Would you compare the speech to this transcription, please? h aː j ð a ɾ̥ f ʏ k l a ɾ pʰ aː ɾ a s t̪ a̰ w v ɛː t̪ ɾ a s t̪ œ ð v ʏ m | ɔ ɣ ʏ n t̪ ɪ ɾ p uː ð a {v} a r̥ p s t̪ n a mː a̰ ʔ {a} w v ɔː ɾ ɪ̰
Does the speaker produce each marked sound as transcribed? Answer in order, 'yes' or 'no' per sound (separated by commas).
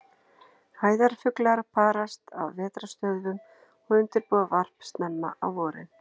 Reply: yes, yes